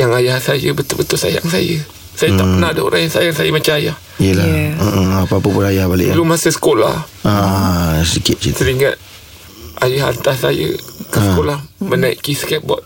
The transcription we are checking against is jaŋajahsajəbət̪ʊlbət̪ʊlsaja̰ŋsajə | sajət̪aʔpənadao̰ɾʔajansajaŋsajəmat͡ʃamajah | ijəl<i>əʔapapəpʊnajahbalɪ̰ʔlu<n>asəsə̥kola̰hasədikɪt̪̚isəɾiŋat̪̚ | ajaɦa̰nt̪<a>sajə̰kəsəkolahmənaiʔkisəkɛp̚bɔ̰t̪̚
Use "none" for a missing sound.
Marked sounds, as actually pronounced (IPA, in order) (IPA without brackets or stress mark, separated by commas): a, m, a